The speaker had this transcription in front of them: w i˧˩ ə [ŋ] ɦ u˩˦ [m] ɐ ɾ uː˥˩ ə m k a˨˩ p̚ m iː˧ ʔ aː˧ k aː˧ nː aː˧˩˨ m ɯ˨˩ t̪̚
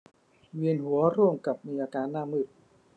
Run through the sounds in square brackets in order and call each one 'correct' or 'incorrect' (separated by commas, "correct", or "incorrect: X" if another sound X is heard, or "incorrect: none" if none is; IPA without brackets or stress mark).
incorrect: n, incorrect: none